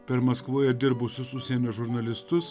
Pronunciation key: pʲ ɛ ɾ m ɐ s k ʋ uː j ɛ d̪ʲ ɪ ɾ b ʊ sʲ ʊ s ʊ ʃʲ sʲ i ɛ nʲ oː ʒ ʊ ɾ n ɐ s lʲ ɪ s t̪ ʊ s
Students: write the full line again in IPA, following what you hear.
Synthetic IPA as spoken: pʲ ɛ ɾ m ɐ s k ʋ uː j ɛ d̪ʲ ɪ ɾ b ʊ sʲ ʊ s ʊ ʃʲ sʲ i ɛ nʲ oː ʒ ʊ ɾ n ɐ lʲ ɪ s t̪ ʊ s